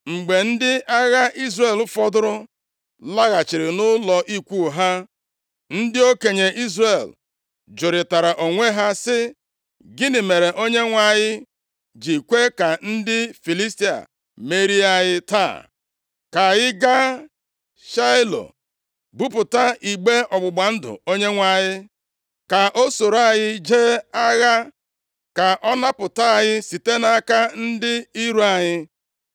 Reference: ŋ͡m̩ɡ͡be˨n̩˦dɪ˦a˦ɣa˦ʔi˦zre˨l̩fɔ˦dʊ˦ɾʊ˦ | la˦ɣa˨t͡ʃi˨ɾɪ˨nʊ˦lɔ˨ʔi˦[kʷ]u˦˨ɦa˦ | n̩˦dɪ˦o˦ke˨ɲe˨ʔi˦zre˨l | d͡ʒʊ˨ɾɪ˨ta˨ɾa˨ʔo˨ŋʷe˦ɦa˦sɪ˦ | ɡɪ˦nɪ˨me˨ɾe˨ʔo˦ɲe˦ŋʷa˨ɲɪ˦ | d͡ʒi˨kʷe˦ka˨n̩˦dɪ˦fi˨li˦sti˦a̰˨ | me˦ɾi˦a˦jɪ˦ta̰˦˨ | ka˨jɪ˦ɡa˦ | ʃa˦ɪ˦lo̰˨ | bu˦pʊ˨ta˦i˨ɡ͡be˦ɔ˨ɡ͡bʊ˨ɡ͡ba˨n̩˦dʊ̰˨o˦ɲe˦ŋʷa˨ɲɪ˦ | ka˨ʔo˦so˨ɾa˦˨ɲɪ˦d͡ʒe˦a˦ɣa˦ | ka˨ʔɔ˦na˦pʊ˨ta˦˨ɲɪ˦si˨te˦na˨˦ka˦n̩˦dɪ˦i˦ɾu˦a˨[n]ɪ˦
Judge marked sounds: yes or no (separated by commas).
yes, no